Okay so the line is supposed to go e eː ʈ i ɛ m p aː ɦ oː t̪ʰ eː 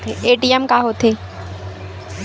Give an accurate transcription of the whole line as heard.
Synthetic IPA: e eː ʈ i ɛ m k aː ɦ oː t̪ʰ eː